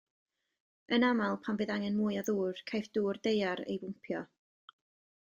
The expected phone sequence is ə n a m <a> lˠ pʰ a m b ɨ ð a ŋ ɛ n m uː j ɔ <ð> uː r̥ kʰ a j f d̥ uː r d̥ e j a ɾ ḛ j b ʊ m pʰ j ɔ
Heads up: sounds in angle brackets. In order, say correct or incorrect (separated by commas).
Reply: correct, correct